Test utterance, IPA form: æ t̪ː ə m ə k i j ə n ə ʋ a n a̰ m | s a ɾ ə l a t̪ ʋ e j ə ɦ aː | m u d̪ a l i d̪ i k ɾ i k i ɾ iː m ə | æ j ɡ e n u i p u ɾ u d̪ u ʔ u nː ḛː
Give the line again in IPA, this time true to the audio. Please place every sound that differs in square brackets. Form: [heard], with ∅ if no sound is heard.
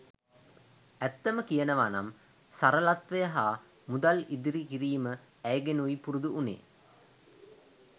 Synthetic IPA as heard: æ t̪ː ə m ə k i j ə n ə ʋ a n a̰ m | s a ɾ ə l a t̪ ʋ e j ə ɦ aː | m u d̪ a l i d̪ i [∅] ɾ i k i ɾ iː m ə | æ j ɡ e n u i p u ɾ u d̪ u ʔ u [n] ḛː